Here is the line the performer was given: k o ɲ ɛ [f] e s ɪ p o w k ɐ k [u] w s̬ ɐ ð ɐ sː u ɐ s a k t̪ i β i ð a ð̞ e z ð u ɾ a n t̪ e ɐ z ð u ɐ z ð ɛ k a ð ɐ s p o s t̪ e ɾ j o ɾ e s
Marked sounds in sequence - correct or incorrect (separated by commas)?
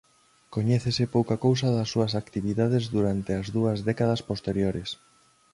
incorrect, incorrect